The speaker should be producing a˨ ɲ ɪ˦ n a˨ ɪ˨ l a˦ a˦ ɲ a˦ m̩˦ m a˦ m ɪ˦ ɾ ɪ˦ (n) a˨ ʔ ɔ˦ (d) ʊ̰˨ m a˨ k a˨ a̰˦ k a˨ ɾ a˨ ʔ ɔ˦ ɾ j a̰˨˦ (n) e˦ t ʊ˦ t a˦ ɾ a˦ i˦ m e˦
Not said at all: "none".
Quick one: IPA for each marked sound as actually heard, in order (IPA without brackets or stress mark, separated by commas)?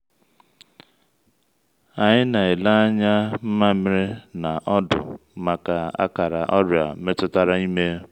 n, d, m